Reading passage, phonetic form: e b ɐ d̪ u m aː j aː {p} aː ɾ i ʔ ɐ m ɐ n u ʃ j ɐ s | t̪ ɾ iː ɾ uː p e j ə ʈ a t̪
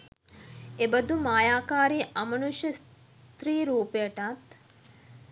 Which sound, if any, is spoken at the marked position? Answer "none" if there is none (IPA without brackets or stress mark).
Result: k